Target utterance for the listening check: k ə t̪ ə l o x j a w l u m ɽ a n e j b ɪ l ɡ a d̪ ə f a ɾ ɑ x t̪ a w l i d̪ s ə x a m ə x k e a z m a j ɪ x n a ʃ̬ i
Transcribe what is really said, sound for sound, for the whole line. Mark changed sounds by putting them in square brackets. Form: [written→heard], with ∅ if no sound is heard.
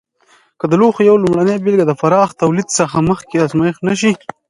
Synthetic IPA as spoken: k ə [t̪→d̪] ə l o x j a w l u m ɽ a n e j b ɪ l ɡ a d̪ ə f a ɾ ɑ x t̪ a w l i d̪ s ə x a m ə x k e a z m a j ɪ x n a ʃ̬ i